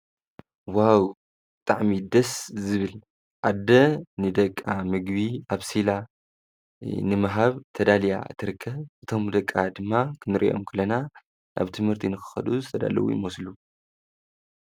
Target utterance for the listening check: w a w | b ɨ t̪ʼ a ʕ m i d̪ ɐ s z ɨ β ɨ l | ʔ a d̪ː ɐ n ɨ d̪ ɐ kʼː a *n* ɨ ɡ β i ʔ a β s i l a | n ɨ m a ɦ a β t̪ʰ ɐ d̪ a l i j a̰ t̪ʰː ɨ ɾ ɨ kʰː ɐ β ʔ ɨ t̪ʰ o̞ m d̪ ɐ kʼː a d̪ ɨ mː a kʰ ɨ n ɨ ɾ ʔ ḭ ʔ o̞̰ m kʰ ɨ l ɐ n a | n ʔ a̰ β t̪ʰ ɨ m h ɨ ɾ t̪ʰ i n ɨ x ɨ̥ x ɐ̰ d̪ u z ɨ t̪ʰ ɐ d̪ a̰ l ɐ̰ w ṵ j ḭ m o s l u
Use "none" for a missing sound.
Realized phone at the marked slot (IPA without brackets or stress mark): m